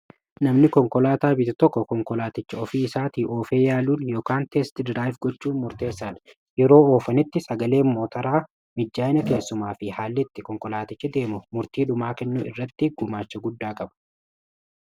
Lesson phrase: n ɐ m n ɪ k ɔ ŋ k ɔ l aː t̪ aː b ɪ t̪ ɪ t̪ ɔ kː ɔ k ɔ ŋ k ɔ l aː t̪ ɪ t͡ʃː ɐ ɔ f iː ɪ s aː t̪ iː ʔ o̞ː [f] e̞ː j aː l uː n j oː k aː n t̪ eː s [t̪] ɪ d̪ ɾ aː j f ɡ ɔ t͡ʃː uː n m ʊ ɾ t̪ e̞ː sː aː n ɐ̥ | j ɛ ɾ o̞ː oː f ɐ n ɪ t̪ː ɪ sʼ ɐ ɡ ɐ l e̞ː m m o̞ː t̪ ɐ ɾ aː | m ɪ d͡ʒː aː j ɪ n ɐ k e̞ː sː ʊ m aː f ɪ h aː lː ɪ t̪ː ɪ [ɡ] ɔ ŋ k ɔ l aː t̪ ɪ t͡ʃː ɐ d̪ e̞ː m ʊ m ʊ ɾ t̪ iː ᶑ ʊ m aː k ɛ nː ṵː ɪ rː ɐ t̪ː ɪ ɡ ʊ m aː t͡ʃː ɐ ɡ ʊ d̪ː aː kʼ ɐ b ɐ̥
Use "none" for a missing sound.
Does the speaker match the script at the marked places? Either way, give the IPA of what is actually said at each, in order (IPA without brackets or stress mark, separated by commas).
f, t̪, k